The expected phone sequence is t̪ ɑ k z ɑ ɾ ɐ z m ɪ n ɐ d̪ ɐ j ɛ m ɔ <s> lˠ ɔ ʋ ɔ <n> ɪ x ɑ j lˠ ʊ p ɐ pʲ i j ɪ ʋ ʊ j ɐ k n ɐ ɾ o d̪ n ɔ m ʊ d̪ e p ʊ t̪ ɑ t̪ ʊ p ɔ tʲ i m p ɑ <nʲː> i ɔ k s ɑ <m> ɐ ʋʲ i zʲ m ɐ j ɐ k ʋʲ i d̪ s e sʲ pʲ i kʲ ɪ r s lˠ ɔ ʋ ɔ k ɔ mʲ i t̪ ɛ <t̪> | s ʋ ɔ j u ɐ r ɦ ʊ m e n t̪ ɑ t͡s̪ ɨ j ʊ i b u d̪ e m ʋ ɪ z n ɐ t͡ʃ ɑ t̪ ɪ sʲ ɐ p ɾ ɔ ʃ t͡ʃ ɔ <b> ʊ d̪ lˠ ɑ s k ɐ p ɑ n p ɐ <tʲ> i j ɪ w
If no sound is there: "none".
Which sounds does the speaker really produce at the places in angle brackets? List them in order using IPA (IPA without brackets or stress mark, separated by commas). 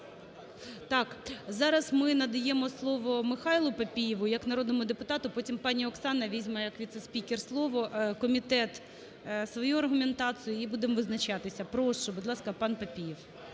s, m, nʲ, n, t̪, b, pʲ